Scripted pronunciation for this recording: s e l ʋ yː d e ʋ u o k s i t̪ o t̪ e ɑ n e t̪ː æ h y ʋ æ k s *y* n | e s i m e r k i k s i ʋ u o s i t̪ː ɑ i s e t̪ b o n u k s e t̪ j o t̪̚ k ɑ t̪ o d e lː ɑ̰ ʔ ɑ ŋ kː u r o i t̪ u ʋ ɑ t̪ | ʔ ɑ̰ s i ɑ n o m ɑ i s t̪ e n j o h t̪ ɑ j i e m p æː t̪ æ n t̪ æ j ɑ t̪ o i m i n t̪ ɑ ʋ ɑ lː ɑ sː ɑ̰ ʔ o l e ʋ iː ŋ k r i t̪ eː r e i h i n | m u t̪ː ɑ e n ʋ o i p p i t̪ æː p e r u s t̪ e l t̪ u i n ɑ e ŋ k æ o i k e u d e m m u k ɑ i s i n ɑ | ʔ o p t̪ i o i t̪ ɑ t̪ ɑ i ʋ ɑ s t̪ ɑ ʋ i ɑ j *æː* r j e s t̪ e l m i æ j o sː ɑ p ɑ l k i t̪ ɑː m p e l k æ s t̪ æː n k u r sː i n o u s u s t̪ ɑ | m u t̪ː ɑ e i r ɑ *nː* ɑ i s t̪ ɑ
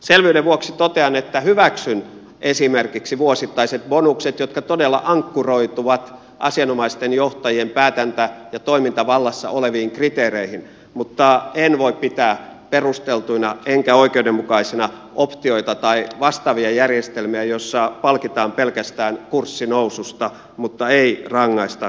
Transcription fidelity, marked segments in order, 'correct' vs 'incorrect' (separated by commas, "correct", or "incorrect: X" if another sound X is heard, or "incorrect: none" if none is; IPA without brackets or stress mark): correct, incorrect: æ, incorrect: ŋː